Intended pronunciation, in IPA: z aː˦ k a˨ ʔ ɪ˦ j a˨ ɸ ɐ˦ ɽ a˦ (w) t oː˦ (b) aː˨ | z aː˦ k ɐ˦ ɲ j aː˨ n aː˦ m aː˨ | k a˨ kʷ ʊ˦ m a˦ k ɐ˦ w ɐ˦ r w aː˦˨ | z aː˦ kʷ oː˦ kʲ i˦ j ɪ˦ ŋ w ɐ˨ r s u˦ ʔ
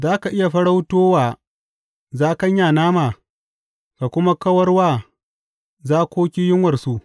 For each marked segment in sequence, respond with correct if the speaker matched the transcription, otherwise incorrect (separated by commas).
correct, incorrect